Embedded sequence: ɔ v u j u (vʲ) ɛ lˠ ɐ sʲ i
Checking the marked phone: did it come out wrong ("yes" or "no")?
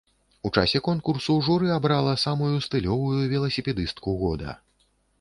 no